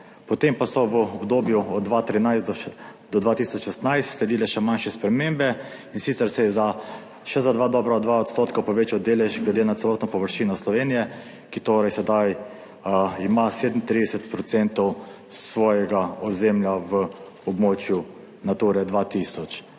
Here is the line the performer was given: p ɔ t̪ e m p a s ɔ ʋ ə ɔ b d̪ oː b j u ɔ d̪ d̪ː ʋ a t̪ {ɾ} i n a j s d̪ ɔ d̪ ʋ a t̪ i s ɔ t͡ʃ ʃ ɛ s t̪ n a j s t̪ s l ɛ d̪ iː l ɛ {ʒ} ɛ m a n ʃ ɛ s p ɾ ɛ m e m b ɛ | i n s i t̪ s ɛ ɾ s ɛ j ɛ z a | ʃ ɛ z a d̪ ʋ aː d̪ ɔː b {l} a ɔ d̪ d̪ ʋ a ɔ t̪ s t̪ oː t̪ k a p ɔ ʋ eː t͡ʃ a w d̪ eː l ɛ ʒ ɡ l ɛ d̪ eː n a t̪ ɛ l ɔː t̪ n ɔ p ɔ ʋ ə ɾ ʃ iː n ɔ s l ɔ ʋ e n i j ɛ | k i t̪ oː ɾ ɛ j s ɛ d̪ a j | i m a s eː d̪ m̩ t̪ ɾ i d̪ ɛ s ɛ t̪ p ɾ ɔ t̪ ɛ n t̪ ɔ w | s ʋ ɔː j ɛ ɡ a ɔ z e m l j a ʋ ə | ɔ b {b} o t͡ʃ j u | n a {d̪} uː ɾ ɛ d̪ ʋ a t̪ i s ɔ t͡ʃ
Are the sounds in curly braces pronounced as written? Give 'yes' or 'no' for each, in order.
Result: yes, no, no, no, no

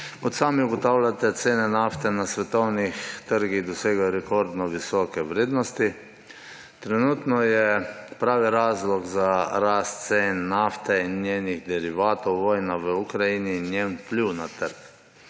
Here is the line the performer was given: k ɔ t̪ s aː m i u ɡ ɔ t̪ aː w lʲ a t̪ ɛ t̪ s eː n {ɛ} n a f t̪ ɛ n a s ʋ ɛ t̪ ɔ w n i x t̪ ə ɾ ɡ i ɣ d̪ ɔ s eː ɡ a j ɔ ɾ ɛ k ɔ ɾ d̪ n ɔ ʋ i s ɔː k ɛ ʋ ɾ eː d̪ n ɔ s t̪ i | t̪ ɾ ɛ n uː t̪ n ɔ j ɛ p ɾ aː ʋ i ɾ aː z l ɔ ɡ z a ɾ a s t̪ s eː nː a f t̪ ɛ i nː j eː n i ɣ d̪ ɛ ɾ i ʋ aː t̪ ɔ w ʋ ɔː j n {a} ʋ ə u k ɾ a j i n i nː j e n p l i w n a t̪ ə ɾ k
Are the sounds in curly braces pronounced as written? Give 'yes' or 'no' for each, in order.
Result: yes, yes

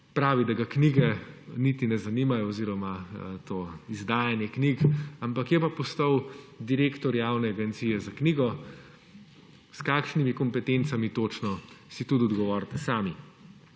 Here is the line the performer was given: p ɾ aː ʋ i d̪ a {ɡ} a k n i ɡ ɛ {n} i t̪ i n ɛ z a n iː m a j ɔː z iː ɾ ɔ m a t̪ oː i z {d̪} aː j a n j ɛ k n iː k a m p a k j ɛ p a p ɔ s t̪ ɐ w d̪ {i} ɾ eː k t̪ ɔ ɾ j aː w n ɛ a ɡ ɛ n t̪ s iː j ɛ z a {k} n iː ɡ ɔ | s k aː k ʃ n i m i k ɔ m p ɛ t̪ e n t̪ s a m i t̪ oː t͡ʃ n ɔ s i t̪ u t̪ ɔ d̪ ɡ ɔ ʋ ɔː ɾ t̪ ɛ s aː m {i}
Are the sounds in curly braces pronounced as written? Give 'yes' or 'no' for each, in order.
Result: yes, yes, yes, yes, yes, yes

